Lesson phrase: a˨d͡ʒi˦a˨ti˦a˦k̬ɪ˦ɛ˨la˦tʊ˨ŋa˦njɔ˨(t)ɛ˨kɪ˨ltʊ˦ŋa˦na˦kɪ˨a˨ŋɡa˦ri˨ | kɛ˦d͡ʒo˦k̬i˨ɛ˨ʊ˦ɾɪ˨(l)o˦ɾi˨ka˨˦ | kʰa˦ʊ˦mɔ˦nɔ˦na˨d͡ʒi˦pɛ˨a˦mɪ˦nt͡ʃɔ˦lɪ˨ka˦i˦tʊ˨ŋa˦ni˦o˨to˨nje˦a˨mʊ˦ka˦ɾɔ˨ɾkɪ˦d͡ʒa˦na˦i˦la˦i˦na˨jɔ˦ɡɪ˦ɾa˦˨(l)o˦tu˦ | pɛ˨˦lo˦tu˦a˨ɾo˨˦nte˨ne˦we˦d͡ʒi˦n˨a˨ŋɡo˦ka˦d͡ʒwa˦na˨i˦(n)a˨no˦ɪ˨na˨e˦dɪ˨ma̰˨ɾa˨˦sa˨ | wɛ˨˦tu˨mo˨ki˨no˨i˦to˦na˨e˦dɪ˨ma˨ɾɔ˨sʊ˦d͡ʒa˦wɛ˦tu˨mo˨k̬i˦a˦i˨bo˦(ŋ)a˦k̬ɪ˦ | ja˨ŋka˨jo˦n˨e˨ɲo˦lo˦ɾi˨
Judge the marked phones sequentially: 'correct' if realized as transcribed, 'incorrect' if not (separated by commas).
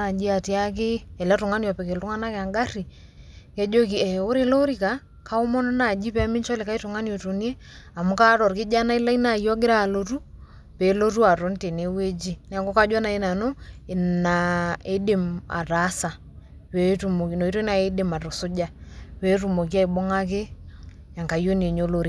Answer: incorrect, correct, correct, correct, correct